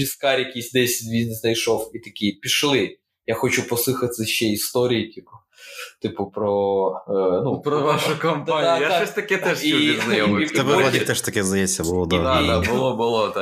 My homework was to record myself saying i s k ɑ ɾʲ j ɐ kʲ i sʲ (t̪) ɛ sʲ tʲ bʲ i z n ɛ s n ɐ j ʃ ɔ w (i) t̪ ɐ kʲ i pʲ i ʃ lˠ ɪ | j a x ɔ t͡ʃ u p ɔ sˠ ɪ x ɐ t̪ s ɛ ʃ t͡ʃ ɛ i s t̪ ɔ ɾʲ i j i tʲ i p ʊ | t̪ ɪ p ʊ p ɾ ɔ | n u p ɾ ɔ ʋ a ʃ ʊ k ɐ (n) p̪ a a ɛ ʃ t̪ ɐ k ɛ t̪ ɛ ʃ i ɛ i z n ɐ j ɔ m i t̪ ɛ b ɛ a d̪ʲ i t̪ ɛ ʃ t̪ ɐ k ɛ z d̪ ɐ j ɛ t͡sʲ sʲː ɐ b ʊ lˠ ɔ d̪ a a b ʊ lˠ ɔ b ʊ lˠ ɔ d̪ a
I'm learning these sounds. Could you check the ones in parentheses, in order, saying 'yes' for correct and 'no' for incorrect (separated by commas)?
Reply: no, yes, no